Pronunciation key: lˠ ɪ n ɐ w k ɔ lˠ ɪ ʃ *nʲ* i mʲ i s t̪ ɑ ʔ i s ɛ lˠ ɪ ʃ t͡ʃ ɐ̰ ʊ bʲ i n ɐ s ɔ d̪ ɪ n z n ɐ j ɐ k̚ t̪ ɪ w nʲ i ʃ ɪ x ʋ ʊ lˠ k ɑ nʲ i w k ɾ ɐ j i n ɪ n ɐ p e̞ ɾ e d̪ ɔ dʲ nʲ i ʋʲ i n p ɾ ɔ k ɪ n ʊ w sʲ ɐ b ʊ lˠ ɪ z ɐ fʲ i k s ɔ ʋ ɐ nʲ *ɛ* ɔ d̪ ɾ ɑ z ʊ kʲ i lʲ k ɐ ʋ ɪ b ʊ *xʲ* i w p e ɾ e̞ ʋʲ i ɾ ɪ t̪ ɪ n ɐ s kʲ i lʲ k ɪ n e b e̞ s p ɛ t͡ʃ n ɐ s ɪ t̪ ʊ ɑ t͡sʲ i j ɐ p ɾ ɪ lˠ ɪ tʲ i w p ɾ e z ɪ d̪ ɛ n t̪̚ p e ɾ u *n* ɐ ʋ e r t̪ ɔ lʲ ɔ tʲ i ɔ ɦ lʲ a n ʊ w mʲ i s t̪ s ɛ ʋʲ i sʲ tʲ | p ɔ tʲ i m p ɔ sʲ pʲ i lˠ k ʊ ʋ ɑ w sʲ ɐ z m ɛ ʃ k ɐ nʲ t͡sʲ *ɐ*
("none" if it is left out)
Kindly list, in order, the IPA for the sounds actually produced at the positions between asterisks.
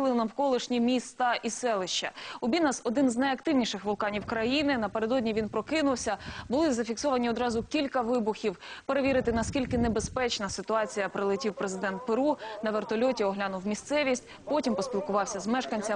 nʲ, i, xʲ, n, ɐ

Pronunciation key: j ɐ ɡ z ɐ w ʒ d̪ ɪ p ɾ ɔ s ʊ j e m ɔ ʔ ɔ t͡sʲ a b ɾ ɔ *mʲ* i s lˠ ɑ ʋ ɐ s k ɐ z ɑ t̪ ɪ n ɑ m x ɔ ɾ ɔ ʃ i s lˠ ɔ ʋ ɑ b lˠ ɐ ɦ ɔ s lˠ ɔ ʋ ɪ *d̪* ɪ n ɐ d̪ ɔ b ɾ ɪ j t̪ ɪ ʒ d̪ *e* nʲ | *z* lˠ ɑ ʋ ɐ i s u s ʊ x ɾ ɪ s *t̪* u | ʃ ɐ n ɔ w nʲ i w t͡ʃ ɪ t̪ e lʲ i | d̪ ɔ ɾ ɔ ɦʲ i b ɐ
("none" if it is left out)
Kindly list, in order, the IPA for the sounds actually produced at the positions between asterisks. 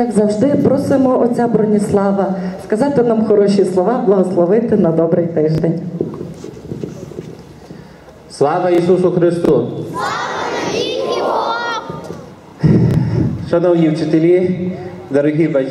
nʲ, t̪, e, s, t̪

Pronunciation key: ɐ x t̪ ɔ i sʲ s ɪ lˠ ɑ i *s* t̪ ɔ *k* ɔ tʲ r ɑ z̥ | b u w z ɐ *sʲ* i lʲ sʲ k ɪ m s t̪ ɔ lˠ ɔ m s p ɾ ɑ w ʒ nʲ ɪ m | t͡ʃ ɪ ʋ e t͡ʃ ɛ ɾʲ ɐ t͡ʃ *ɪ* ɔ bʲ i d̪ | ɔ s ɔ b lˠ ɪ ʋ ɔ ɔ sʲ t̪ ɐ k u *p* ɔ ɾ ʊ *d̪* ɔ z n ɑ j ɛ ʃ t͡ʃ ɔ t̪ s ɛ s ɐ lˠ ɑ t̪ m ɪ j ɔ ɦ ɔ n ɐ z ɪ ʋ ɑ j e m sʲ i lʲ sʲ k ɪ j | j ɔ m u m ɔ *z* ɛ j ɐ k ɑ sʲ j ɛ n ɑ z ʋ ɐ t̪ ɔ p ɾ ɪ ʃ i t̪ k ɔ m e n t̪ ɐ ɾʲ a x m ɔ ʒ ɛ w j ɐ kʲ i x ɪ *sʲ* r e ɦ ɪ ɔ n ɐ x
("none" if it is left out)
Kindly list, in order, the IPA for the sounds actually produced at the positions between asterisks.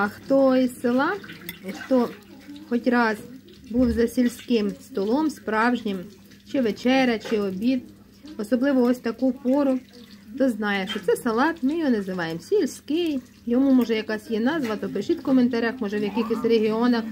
x, x, sʲ, ɪ, p, t̪, ʒ, sʲ

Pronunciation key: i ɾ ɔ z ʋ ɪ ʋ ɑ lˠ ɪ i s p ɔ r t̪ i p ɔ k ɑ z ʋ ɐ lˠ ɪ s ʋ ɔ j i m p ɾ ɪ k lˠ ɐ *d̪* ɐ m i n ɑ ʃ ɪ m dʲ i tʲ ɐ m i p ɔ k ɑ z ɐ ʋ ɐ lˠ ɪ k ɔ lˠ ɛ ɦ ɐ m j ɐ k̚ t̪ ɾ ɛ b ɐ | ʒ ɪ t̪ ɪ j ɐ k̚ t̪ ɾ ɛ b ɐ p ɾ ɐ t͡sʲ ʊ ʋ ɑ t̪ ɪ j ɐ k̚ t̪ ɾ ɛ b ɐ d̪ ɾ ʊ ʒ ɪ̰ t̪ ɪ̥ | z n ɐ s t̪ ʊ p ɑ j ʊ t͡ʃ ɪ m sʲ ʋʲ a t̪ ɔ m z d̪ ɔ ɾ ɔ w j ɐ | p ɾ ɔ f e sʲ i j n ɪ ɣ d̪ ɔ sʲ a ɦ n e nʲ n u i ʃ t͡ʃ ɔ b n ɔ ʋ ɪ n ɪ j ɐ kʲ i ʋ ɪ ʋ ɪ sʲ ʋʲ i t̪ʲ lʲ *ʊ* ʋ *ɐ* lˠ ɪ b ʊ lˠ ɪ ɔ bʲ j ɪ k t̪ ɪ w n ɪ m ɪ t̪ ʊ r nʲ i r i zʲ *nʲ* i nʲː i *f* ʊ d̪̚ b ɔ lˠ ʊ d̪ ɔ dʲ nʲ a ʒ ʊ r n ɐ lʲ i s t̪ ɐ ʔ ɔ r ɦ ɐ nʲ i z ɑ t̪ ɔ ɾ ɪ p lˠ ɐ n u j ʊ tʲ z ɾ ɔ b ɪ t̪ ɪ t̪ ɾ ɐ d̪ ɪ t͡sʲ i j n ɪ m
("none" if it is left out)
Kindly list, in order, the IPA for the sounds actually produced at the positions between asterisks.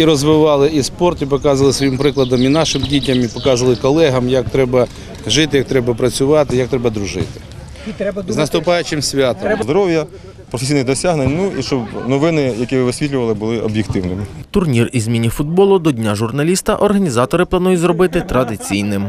d̪, ʊ, ɐ, mʲ, f

